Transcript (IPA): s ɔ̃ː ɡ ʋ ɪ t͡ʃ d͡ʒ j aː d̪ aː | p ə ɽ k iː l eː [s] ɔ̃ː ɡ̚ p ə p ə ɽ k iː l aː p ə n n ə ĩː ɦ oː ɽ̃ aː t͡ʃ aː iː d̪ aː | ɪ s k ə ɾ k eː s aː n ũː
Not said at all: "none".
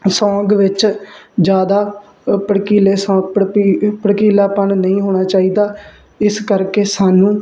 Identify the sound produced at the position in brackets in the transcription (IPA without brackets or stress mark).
s